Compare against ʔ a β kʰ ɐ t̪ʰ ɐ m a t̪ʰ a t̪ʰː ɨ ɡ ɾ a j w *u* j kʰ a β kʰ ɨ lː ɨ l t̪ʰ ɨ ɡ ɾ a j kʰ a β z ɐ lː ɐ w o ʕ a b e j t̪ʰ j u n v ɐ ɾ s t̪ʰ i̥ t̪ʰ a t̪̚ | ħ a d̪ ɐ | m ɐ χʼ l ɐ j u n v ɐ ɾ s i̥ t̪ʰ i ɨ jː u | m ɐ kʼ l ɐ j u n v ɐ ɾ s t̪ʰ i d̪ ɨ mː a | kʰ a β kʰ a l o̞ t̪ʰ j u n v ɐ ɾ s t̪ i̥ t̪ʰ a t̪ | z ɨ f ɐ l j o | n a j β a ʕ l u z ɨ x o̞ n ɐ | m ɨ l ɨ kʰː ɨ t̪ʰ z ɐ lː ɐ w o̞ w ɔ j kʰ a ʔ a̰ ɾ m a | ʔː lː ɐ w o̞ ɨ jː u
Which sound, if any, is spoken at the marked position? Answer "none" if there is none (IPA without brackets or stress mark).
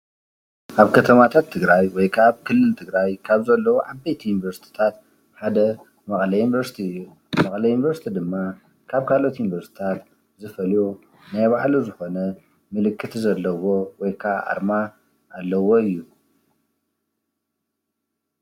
ɔ